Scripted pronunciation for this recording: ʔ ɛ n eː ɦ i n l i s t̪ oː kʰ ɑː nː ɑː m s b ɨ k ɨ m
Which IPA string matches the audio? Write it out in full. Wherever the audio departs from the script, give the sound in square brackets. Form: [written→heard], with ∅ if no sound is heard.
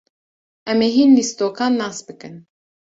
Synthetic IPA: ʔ ɛ [n→m] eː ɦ i n l i s t̪ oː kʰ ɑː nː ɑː [m→∅] s b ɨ k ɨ [m→n]